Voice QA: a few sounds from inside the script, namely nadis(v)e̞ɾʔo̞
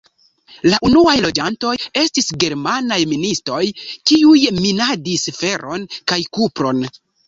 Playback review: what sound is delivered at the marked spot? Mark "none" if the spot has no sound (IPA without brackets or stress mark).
f